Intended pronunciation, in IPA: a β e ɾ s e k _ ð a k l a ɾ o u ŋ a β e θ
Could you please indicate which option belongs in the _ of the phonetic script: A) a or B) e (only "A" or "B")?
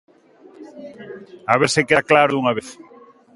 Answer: B